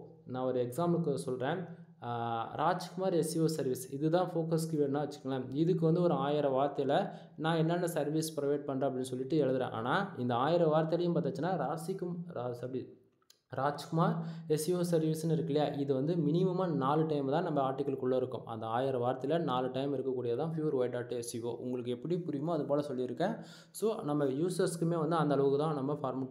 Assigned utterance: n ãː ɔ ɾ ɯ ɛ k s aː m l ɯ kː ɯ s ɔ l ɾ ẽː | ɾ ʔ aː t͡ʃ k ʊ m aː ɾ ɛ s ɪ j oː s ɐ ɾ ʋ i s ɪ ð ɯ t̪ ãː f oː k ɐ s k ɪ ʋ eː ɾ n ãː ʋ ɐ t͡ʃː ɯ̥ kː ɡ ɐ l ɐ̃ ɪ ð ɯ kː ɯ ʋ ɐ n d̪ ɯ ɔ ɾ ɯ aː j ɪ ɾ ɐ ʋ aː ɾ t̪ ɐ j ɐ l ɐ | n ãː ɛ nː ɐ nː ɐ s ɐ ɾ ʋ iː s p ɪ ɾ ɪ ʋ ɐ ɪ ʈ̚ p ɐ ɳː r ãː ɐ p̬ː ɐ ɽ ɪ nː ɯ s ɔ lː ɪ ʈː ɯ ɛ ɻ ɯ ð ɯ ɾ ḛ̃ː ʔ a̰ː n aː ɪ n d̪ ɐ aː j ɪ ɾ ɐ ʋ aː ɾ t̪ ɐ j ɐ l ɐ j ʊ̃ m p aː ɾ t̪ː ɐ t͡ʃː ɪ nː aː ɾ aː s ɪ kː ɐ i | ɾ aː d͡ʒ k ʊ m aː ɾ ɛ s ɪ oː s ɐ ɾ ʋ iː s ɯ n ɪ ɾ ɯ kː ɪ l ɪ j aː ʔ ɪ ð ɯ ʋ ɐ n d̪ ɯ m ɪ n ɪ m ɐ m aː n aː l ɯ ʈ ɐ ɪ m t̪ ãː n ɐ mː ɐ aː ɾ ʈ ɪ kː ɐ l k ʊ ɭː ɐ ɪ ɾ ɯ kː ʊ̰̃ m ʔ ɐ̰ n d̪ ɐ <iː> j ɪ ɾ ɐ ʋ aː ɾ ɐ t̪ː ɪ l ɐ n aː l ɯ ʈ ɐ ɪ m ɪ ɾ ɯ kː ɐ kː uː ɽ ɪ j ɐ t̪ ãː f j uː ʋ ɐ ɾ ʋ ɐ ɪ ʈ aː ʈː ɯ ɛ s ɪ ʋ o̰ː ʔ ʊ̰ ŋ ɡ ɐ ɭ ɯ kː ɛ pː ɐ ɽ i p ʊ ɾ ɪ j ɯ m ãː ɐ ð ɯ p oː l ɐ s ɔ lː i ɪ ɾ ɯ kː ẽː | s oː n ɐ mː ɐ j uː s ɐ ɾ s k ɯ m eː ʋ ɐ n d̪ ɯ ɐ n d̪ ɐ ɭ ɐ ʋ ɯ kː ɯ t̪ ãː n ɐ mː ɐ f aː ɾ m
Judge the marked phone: incorrect: aː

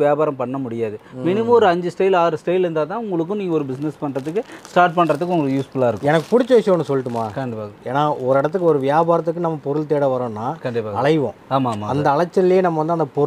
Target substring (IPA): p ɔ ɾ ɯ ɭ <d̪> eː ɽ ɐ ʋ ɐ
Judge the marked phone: incorrect: t̪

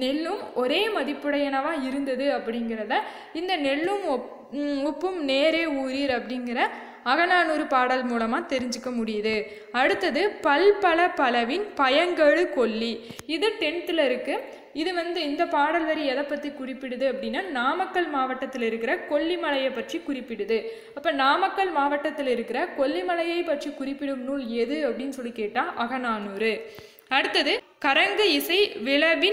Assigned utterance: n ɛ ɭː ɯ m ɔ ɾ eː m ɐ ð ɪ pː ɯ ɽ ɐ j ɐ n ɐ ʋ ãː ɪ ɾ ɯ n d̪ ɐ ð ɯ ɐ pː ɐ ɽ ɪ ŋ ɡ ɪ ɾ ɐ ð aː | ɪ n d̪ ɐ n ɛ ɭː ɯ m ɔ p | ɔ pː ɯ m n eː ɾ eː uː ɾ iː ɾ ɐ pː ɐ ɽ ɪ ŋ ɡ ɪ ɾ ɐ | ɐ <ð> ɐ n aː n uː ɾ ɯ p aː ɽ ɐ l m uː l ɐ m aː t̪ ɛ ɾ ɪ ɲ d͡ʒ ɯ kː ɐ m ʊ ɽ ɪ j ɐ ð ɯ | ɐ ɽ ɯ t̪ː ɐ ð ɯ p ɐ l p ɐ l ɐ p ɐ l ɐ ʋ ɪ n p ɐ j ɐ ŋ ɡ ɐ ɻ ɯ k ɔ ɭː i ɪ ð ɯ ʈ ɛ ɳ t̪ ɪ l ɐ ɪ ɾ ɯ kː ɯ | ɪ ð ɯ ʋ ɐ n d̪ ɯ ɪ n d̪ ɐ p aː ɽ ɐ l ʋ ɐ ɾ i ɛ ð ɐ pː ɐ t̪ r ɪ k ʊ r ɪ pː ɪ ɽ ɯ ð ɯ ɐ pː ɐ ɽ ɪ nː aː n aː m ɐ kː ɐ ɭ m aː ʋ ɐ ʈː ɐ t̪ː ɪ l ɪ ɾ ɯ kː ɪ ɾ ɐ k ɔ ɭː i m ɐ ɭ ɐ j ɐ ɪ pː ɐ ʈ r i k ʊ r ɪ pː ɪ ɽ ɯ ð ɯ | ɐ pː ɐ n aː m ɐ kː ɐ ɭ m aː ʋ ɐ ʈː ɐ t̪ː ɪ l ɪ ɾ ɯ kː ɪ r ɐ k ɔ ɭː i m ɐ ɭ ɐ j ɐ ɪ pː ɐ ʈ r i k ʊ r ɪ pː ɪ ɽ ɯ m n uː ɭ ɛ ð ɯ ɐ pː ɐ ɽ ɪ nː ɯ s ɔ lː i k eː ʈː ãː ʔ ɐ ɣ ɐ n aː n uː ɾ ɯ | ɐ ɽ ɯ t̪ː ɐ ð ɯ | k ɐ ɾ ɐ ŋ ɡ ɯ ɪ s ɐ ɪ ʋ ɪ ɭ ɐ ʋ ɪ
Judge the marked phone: incorrect: ɣ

